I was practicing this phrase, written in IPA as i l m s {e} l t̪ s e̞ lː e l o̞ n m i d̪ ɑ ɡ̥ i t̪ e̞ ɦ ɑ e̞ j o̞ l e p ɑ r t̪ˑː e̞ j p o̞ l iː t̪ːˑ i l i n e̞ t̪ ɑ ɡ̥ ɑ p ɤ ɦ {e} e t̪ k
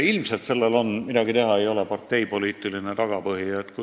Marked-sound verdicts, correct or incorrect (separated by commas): correct, incorrect